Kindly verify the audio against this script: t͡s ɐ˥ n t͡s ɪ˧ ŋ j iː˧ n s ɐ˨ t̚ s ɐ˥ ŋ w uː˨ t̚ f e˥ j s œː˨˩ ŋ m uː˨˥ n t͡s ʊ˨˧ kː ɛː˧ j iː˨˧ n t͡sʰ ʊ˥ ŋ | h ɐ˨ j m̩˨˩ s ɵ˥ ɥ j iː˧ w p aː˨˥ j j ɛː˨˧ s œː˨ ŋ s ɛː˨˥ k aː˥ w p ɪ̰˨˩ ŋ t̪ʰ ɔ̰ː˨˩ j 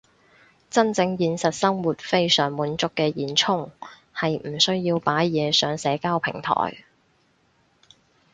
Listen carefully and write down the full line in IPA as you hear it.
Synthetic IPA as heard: t͡s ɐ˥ n t͡s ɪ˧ ŋ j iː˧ n s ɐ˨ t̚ s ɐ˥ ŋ w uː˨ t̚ f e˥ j s œː˨˩ ŋ m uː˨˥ n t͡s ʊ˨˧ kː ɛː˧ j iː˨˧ n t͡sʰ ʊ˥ ŋ | h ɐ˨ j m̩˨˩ s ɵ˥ ɥ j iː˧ w p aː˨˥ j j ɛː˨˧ s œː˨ ŋ s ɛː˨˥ k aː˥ w pʰ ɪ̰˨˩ ŋ t̪ʰ ɔ̰ː˨˩ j